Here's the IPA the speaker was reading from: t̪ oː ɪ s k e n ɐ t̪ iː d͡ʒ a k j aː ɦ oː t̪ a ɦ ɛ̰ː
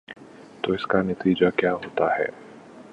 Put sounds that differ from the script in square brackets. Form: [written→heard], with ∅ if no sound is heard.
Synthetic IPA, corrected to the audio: t̪ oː ɪ s k [e→a] n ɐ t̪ iː d͡ʒ a k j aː ɦ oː t̪ a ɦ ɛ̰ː